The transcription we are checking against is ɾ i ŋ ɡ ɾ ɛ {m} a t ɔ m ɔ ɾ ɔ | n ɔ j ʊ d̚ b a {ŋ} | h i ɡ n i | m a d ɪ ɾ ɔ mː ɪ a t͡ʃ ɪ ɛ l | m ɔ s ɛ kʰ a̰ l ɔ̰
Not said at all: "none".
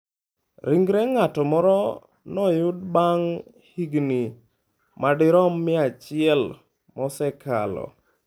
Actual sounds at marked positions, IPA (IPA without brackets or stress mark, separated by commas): ŋ, ŋ